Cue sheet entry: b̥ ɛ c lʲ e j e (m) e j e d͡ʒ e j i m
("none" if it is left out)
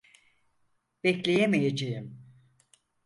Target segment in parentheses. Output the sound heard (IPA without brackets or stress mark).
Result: m